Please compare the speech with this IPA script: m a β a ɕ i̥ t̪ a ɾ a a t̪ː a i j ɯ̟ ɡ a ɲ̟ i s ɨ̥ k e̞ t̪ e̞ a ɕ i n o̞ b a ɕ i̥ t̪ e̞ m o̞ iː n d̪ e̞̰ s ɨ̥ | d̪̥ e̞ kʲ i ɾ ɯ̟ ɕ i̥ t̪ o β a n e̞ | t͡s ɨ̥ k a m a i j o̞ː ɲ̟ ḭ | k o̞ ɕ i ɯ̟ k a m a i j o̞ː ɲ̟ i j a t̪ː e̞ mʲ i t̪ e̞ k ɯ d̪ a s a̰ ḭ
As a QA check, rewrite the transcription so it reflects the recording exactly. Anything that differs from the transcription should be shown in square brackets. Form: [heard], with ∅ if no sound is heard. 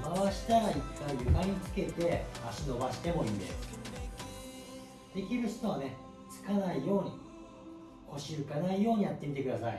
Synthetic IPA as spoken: m a β a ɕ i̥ t̪ a ɾ a [i] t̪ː a i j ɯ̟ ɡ a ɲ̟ i [t͡s] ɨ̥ k e̞ t̪ e̞ a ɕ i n o̞ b a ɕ i̥ t̪ e̞ m o̞ iː n d̪ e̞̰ s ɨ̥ | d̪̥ e̞ kʲ i ɾ ɯ̟ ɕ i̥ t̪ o β a n e̞ | t͡s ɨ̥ k a [n] a i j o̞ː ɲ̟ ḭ | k o̞ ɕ i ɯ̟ k a [n] a i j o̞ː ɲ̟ i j a t̪ː e̞ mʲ i t̪ e̞ k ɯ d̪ a s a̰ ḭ